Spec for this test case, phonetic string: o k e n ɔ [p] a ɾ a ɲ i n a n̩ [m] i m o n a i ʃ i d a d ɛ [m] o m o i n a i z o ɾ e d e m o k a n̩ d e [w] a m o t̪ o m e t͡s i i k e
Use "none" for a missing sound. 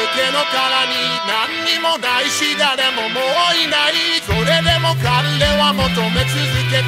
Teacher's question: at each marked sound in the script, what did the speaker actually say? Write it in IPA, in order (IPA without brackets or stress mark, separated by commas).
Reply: k, ɲ, m, w